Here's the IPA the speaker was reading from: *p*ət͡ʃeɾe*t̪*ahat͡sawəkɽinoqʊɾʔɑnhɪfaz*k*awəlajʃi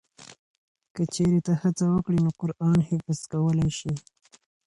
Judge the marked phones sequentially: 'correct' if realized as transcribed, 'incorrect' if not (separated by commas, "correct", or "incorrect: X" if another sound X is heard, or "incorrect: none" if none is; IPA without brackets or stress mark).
incorrect: k, correct, correct